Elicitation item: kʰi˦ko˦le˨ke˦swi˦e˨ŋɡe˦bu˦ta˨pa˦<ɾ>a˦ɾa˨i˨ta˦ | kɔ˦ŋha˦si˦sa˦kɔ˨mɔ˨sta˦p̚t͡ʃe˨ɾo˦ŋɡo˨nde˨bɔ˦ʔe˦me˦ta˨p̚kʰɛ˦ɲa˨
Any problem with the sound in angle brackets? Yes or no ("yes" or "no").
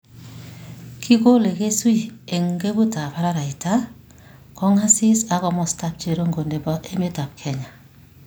no